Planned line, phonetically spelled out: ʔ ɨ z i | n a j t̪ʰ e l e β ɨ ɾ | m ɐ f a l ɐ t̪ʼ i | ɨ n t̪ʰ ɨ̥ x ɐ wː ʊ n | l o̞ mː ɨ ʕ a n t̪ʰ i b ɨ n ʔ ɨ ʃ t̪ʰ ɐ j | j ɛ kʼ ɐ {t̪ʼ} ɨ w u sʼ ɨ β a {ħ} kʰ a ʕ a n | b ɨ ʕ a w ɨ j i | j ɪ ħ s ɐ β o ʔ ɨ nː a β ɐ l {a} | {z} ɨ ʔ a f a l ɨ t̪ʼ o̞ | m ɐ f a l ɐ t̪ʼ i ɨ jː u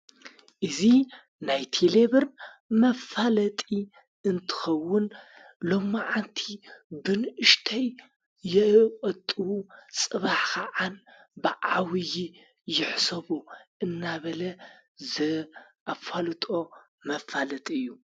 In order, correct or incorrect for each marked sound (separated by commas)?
correct, correct, incorrect, correct